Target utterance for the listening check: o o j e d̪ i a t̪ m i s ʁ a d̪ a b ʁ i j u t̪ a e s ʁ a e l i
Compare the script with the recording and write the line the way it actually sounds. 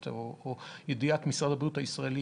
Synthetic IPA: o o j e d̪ i a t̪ m i s ʁ a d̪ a b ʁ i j u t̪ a i s ʁ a e l i